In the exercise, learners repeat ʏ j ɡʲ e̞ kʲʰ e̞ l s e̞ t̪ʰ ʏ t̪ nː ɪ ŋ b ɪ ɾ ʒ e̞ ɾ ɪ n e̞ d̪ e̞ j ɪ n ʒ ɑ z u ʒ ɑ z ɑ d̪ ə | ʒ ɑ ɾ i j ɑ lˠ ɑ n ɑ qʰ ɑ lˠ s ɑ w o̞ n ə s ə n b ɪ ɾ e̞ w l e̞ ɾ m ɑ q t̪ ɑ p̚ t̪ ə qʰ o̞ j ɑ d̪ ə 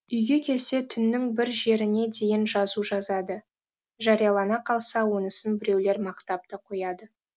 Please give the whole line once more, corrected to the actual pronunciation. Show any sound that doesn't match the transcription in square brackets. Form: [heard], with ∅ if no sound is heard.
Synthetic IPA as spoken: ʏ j ɡʲ e̞ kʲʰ e̞ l s e̞ t̪ʰ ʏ [∅] nː ɪ ŋ b ɪ ɾ ʒ e̞ ɾ ɪ n e̞ d̪ e̞ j ɪ n ʒ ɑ z u ʒ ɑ z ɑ d̪ ə | ʒ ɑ ɾ i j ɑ lˠ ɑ n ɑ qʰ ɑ lˠ s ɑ w o̞ n ə s ə n b ɪ ɾ e̞ w l e̞ ɾ m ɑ q t̪ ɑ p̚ t̪ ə qʰ o̞ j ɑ d̪ ə